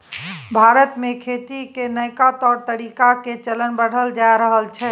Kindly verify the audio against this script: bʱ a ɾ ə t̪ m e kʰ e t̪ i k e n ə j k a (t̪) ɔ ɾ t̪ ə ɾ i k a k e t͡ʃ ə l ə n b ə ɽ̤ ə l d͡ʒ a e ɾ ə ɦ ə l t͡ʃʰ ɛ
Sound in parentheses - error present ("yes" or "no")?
no